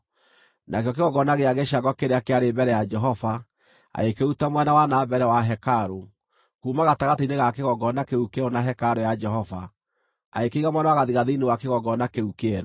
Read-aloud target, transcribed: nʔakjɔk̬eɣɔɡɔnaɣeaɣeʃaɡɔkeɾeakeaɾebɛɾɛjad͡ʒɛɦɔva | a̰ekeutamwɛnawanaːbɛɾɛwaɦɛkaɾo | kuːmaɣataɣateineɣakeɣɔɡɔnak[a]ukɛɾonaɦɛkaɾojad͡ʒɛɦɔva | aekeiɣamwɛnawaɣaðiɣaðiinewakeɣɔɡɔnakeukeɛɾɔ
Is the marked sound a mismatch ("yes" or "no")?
yes